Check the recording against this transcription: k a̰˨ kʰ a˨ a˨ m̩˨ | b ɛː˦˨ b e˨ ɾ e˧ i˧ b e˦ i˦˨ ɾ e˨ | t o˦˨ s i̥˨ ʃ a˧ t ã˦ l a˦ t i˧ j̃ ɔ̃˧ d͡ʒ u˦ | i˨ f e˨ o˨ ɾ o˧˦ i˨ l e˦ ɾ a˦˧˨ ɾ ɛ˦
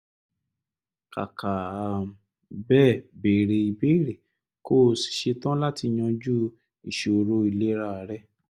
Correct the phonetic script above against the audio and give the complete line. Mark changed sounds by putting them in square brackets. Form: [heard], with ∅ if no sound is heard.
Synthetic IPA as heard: k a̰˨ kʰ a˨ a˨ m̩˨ | b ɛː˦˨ b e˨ ɾ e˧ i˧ b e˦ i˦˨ ɾ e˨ | [k] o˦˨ s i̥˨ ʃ [e˧] t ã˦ l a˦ t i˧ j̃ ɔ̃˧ d͡ʒ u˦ | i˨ [ʃ] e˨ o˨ ɾ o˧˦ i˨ l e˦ ɾ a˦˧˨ ɾ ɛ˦